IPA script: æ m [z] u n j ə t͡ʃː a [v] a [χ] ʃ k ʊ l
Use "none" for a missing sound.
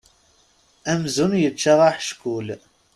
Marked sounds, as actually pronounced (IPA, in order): z, ʁ, ħ

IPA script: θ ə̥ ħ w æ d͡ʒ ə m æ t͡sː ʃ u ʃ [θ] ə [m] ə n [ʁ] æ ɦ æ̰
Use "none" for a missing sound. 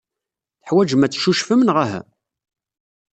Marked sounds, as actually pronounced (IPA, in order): f, m, ʁ

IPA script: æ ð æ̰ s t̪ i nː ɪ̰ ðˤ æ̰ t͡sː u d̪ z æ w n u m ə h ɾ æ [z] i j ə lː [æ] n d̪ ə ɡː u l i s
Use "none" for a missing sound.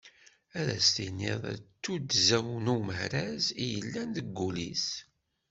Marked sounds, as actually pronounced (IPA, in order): z, æ

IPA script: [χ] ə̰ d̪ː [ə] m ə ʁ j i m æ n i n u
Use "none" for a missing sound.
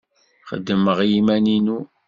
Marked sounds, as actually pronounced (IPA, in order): χ, ə

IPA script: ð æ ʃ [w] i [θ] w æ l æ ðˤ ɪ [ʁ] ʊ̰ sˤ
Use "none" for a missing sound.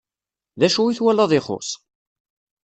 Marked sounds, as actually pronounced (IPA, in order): u, θ, χ

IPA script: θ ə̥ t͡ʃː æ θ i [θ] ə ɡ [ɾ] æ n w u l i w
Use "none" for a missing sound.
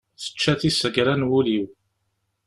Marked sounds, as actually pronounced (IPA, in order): s, ɾ

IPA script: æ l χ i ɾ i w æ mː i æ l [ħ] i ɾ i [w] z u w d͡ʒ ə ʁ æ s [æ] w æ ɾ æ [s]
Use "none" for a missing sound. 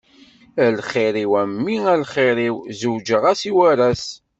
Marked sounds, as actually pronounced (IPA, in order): χ, w, i, s

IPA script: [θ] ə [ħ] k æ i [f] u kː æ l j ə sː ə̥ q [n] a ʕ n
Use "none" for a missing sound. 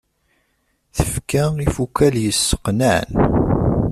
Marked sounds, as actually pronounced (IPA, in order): θ, f, f, n

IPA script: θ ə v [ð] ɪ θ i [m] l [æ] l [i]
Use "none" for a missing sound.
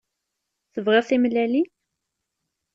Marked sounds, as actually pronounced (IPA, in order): ʁ, m, æ, i

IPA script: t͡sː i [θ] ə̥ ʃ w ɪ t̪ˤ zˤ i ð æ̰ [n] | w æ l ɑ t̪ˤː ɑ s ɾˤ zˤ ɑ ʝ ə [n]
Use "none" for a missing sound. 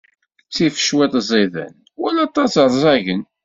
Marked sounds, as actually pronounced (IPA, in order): f, n, n

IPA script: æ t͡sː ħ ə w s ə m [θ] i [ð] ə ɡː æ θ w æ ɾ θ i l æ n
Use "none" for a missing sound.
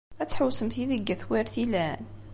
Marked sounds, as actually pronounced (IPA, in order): θ, ð

